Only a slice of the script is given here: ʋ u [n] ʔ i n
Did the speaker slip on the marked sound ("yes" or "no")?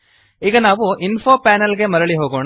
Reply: yes